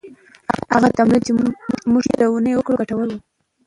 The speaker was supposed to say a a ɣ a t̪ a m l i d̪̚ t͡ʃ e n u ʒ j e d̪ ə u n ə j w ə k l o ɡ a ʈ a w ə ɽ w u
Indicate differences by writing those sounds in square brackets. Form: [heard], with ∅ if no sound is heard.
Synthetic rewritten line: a a ɣ a t̪ a m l i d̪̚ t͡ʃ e [m] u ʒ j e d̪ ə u n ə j w ə k [ɽ] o ɡ a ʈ a w ə [l] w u